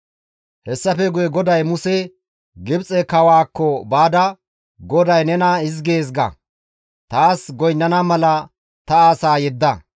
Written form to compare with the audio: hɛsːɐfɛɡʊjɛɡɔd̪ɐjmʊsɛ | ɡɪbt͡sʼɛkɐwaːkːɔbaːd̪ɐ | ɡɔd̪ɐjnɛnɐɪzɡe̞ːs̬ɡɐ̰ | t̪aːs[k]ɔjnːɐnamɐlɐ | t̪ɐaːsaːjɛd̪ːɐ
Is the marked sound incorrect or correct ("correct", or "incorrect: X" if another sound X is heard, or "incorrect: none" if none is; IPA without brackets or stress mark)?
incorrect: ɡ